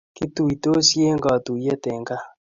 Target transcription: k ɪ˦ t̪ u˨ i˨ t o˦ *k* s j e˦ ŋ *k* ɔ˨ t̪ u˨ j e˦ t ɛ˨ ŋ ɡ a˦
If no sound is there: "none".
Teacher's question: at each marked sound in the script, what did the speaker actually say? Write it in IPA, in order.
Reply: none, ɡ

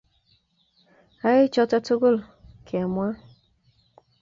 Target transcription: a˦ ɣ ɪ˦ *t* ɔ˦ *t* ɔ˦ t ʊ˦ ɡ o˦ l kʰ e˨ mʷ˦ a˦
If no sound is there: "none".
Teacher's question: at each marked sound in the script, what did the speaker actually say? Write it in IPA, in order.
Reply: t͡ʃ, t

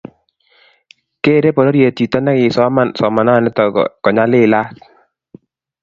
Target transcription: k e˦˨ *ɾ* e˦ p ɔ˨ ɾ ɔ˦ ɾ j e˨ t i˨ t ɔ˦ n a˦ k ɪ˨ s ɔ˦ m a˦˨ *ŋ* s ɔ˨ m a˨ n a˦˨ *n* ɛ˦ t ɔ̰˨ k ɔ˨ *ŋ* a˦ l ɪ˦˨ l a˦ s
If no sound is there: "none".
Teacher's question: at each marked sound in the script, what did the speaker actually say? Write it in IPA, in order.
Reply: ɾ, n, n, ɲ

